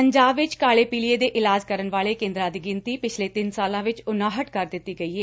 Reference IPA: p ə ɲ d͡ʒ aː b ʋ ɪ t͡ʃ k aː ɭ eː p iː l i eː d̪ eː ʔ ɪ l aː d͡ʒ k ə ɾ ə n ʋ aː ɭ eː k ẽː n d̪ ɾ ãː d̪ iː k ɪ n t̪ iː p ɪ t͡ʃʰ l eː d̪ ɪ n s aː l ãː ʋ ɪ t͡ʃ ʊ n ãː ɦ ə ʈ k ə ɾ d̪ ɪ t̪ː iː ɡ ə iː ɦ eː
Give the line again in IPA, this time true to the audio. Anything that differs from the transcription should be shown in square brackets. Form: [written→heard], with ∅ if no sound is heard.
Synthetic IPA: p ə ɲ d͡ʒ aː b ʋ ɪ t͡ʃ k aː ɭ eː p iː l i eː d̪ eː ʔ ɪ l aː d͡ʒ k ə ɾ ə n ʋ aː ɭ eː k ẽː n d̪ ɾ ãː d̪ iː [k→ɡ] ɪ n t̪ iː p ɪ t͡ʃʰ l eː [d̪→t̪] ɪ n s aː l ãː ʋ ɪ t͡ʃ ʊ n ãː ɦ ə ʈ k ə ɾ d̪ ɪ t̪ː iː ɡ ə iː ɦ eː

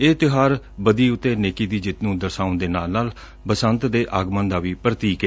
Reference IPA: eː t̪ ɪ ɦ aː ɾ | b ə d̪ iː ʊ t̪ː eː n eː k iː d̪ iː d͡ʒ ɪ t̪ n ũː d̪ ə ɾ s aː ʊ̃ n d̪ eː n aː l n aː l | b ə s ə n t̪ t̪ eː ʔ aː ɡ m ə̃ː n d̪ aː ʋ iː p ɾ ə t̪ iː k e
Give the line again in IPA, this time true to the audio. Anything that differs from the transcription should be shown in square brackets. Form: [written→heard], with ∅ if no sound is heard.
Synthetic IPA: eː t̪ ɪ ɦ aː ɾ | b ə d̪ iː ʊ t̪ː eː n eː k iː d̪ iː d͡ʒ ɪ t̪ n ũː d̪ ə ɾ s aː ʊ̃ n d̪ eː n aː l n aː l | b ə s ə n t̪ [t̪→d̪] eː ʔ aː ɡ m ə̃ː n d̪ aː ʋ iː p ɾ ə t̪ iː k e

